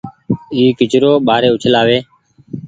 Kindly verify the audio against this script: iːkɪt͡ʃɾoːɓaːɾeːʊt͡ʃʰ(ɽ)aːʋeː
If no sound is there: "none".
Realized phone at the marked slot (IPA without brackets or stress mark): l